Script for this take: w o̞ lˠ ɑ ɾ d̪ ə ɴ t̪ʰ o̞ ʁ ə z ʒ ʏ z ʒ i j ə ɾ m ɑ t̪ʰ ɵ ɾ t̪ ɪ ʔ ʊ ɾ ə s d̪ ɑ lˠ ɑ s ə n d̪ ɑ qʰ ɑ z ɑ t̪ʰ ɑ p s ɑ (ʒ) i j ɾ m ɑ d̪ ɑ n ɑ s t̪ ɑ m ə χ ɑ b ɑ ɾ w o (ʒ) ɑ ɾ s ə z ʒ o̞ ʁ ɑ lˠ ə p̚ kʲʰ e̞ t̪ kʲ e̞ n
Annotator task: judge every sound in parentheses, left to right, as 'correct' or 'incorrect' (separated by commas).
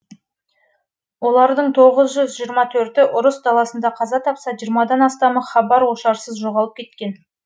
correct, incorrect